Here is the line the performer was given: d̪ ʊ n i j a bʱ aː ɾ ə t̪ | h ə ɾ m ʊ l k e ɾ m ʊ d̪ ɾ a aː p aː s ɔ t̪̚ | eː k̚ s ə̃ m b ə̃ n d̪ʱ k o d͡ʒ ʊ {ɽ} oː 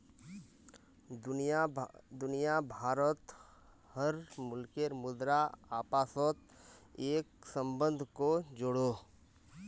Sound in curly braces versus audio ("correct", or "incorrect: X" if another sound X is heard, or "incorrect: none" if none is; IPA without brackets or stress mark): correct